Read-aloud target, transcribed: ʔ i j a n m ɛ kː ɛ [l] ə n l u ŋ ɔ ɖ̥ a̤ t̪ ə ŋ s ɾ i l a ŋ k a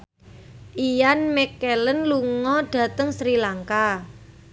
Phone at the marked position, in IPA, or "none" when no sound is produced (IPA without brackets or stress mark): l